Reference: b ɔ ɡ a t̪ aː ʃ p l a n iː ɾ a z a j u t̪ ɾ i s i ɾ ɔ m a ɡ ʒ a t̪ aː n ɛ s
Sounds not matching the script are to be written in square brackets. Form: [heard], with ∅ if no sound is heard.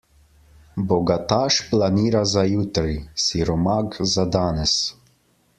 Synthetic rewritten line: b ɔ ɡ a t̪ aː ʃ p l a n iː ɾ a z a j u t̪ ɾ i s i ɾ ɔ m a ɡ [z] a [d̪] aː n ɛ s